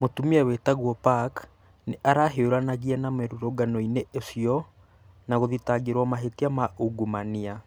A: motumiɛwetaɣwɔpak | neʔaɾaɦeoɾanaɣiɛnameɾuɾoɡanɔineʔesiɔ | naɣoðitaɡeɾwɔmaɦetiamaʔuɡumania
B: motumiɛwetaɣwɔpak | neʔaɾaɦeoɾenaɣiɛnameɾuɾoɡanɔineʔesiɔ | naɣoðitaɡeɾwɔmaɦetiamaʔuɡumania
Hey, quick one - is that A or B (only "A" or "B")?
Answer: A